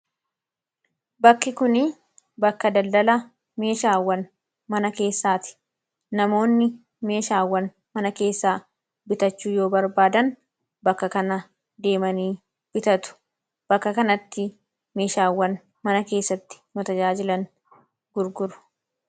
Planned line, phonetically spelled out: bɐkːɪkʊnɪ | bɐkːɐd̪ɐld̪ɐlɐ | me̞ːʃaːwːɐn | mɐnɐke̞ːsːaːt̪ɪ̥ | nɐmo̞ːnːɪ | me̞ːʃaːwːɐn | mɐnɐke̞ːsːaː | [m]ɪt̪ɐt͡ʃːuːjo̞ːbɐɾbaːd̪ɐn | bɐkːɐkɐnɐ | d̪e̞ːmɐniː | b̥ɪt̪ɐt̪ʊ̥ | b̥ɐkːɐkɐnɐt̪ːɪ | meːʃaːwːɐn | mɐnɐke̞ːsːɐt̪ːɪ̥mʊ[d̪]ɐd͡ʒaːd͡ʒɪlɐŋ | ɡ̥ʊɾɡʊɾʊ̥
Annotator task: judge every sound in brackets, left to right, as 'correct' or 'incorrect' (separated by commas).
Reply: incorrect, incorrect